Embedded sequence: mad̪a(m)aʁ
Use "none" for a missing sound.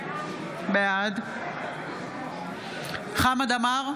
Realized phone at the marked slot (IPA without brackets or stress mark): m